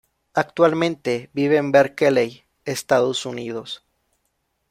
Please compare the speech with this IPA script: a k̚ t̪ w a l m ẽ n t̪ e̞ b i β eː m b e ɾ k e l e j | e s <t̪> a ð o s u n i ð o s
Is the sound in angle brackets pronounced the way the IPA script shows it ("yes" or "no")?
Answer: yes